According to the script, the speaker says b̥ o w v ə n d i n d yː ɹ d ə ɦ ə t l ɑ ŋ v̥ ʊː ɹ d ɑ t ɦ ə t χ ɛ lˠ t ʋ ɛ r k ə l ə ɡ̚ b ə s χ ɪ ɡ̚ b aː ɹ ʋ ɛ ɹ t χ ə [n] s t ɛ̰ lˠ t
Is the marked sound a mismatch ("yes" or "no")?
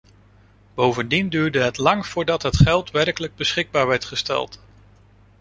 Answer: yes